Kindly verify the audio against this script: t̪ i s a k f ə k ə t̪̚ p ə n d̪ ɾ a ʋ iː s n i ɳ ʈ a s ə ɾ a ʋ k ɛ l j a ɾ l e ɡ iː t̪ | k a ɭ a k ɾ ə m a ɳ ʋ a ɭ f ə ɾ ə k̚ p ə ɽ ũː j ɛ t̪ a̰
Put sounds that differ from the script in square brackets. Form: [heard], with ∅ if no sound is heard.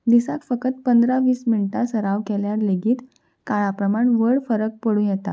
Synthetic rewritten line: [d̪] i s a k f ə k ə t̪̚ p ə n d̪ ɾ a ʋ iː s [m] i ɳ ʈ a s ə ɾ a ʋ k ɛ l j a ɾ l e ɡ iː t̪ | k a ɭ a [p] ɾ ə m a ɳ ʋ [ə] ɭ f ə ɾ ə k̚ p ə ɽ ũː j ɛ t̪ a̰

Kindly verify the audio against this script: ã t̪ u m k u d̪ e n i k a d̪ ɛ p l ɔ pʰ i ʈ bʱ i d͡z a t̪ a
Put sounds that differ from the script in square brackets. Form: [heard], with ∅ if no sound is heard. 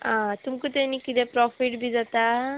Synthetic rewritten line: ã t̪ u m k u [t̪] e n i k [i] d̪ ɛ p [ɾ] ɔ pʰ i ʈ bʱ i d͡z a t̪ a

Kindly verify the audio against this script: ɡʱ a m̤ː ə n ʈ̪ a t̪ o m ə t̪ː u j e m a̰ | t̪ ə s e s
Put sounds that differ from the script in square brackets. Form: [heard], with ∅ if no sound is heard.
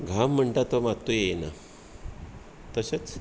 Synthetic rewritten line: ɡʱ a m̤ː ə [ɳ] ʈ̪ a t̪ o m [a] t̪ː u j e [n] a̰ | t̪ ə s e [t͡s]

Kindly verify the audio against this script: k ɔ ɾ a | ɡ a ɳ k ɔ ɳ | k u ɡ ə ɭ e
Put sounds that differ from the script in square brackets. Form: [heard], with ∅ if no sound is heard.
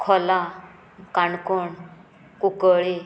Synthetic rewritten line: [kʰ] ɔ [l] a | [k] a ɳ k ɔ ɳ | k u [k] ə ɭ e

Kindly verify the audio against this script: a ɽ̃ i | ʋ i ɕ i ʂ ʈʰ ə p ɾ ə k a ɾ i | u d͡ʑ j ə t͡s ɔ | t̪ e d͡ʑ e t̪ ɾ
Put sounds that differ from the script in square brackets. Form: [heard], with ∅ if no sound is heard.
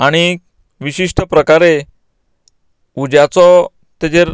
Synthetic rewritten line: a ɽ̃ i | ʋ i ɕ i ʂ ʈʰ ə p ɾ ə k a ɾ [e] | u d͡ʑ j [a] t͡s ɔ | t̪ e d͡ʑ e [∅] ɾ

